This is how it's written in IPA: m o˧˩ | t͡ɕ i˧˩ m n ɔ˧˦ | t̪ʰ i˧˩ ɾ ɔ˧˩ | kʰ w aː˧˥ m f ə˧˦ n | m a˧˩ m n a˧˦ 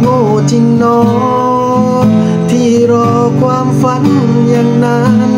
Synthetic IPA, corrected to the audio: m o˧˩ | t͡ɕ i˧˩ ŋ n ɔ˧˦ | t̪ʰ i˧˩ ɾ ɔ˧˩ | k w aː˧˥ m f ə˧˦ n | ɲ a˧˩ ŋ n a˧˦